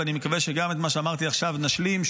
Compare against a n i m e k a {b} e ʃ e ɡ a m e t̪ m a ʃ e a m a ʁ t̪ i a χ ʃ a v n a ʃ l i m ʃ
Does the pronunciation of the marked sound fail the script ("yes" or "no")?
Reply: yes